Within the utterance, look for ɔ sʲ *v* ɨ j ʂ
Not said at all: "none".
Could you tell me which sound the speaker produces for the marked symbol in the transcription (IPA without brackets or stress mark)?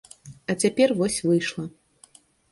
v